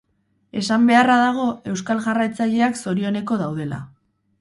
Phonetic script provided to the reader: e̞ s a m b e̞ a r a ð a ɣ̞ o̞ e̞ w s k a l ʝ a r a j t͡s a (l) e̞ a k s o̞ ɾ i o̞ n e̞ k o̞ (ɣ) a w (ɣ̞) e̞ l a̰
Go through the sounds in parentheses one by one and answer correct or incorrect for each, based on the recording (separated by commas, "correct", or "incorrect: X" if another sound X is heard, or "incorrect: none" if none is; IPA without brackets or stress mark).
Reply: incorrect: ʎ, incorrect: ð, incorrect: ð̞